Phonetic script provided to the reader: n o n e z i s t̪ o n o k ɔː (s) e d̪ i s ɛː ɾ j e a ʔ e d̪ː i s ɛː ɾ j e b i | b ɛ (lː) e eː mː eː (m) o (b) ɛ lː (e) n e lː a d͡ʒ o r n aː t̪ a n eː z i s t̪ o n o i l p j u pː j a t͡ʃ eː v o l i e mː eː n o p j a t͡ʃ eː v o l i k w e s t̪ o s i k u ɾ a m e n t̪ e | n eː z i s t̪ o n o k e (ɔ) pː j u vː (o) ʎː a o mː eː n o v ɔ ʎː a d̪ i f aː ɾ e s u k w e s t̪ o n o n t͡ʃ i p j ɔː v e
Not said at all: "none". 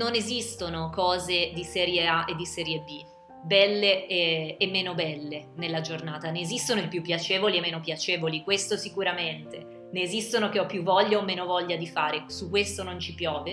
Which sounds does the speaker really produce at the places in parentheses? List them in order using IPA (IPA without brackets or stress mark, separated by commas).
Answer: z, lː, n, b, e, ɔ, ɔ